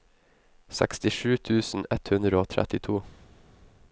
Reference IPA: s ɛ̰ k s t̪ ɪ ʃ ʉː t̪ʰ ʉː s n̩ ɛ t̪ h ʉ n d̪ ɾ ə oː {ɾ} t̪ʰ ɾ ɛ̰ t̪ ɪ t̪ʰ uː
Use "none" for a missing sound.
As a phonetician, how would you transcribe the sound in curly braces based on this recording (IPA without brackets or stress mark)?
none